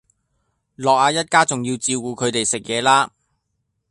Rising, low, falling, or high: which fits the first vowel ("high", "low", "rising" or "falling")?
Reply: low